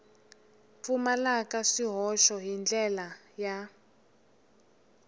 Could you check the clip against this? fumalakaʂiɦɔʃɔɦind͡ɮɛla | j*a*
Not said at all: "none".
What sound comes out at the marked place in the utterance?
a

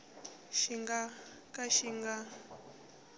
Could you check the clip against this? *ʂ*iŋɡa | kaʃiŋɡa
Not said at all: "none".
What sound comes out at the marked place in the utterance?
ʃ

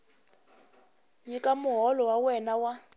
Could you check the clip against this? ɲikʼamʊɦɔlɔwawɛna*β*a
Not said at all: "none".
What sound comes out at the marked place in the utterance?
w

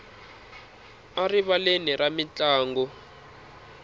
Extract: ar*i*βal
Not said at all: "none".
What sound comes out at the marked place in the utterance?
i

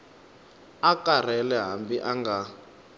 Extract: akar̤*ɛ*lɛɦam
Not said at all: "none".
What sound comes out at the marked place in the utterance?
ɛ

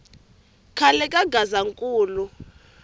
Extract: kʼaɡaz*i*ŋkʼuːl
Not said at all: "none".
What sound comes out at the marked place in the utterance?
a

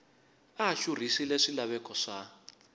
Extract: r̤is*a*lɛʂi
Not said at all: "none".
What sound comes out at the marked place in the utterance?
i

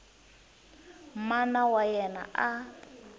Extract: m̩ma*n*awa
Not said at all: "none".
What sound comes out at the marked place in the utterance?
n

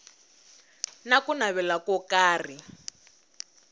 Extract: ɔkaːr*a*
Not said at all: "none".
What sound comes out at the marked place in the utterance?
i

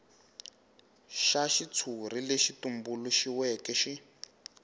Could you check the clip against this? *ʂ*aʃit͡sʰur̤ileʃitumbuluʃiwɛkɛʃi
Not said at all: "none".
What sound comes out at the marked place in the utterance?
ʃ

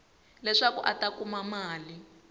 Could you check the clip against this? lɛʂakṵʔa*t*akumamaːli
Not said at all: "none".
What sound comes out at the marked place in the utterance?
t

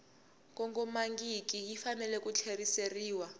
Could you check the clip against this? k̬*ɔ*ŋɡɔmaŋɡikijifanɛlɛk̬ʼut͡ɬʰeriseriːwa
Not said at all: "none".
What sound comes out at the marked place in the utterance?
ɔ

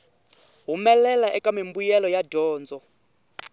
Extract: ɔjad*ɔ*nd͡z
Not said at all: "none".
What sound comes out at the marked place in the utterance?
ɔː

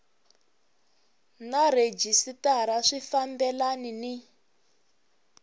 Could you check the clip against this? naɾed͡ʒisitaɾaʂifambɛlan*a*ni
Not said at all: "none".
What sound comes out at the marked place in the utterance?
i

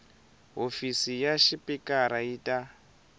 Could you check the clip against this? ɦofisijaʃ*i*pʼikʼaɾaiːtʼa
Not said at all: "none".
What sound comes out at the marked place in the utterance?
i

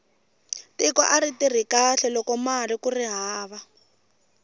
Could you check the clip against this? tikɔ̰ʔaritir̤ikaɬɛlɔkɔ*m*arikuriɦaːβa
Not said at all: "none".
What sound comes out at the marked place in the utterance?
m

